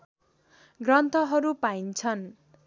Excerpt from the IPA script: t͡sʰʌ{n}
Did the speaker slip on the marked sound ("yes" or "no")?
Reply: no